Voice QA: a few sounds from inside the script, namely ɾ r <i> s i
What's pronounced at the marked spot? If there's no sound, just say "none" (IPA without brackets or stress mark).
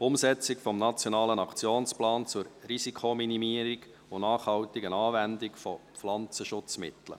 i